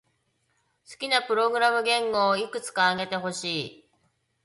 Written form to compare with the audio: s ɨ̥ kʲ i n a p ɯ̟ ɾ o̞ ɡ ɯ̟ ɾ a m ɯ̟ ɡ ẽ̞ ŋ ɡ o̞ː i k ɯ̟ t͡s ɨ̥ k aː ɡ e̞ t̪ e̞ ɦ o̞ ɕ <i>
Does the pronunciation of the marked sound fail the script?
yes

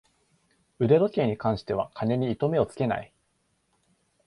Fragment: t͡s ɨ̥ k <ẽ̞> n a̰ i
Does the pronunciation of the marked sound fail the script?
yes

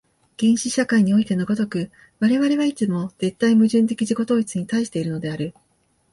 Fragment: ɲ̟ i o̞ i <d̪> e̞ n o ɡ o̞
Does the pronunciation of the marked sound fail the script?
yes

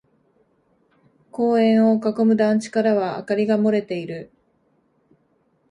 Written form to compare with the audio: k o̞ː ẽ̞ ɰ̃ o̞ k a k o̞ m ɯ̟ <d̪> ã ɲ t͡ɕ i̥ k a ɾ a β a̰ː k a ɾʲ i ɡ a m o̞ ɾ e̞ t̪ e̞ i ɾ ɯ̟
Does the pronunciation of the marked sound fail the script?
no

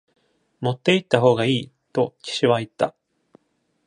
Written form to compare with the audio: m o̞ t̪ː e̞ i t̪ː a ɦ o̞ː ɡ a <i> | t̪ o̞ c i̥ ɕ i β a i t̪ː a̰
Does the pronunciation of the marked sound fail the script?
yes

